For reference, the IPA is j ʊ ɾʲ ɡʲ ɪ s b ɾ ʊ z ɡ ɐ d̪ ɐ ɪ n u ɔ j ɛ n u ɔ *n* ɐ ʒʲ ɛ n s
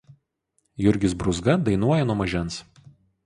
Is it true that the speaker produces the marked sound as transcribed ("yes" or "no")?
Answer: no